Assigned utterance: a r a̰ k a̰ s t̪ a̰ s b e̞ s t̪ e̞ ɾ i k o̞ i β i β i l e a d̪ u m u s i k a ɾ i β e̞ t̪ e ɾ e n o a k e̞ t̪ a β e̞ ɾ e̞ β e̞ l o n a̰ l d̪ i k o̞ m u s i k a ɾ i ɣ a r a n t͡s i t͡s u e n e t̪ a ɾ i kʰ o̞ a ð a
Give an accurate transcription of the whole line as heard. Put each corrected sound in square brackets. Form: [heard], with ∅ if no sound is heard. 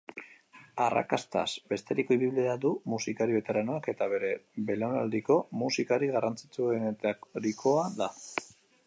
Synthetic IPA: a r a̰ k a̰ s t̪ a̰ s b e̞ s t̪ e̞ ɾ i k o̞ i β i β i l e a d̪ u m u s i k a ɾ i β e̞ t̪ e ɾ [a] n o a k e̞ t̪ a β e̞ ɾ e̞ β e̞ l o n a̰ l d̪ i k o̞ m u s i k a ɾ i ɣ a r a n t͡s i t͡s u e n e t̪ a ɾ i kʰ o̞ a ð a